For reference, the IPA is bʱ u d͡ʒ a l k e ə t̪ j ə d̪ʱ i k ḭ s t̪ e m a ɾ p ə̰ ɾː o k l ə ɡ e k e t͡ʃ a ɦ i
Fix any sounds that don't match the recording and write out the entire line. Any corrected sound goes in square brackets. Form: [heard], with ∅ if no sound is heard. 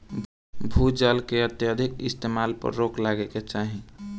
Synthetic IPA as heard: bʱ u d͡ʒ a l k e ə t̪ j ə d̪ʱ i k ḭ s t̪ e m a [l] p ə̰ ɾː o k l [a] ɡ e k e t͡ʃ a ɦ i